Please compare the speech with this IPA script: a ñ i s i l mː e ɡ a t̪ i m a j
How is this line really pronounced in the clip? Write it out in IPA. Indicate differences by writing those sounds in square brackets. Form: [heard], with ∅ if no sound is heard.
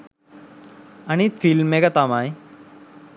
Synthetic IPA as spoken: a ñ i [f] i l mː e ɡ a t̪ [a] m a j